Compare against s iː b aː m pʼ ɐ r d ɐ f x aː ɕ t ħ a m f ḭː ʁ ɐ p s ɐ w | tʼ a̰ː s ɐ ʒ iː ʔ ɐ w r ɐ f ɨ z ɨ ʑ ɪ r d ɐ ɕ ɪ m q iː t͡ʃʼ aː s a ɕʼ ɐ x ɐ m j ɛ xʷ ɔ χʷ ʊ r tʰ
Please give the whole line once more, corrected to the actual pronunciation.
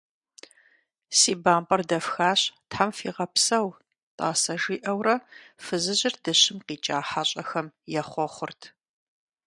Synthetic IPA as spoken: s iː b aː m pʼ ɐ r d ɐ f x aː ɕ t ħ a m f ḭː ʁ ɐ p s ɐ w | tʼ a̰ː s ɐ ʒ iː ʔ ɐ w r ɐ f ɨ z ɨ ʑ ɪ r d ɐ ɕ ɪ m q iː t͡ʃʼ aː ħ a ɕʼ ɐ x ɐ m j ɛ χʷ ɔ χʷ ʊ r tʰ

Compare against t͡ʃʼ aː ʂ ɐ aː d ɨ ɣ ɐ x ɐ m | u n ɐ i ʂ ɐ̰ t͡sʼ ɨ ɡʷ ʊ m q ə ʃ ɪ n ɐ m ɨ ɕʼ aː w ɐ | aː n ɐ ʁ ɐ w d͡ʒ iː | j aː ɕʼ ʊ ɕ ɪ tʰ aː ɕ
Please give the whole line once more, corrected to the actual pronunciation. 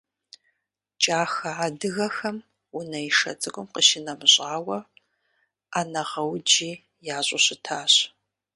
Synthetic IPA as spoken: t͡ʃʼ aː x ɐ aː d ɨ ɣ ɐ x ɐ m | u n ɐ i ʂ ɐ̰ t͡sʼ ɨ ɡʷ ʊ m q ə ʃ ɪ n ɐ m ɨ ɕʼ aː w ɐ | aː n ɐ ʁ ɐ w d͡ʒ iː | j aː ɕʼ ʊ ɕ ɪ tʰ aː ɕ

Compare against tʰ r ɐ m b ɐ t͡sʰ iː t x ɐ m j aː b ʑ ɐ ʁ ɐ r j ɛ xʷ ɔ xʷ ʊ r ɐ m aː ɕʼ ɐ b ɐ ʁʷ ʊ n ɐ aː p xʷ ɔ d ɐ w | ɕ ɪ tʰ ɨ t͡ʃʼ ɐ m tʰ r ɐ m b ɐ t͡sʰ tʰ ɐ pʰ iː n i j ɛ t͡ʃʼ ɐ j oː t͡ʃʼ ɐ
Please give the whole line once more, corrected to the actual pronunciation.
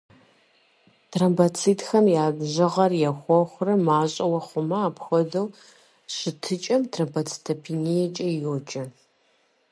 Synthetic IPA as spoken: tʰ r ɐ m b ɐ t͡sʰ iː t x ɐ m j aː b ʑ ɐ ʁ ɐ r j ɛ xʷ ɔ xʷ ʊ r ɐ m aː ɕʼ ɐ w ɐ χʷ ʊ m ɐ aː p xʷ ɔ d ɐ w | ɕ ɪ tʰ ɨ t͡ʃʼ ɐ m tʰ r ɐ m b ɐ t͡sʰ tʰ ɐ pʰ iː n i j ɛ t͡ʃʼ ɐ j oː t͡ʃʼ ɐ

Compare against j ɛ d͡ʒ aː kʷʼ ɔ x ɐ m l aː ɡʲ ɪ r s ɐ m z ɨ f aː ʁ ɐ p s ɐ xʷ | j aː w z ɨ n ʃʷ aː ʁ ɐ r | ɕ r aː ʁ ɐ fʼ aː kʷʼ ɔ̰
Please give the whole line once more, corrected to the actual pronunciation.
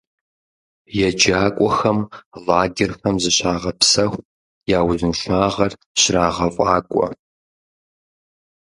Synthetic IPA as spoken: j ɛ d͡ʒ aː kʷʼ ɔ x ɐ m l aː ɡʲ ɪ r x ɐ m z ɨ ɕ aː ʁ ɐ p s ɐ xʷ | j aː w z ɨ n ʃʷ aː ʁ ɐ r | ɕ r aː ʁ ɐ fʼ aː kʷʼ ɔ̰

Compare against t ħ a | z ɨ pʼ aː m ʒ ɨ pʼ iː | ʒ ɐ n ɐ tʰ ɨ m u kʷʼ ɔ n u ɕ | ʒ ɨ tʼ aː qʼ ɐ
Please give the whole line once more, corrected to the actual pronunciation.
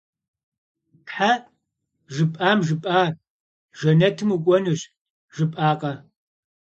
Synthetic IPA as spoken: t ħ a | ʒ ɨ pʼ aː m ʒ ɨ pʼ aː | ʒ ɐ n ɐ tʰ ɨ m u kʷʼ ɔ n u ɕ | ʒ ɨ pʼ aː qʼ ɐ

